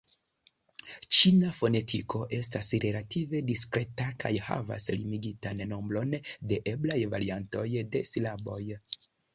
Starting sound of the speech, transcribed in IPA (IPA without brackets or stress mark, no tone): t͡ʃ